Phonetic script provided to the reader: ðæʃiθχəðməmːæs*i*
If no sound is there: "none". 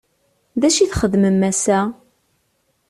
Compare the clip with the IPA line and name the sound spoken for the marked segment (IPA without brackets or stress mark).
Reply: æ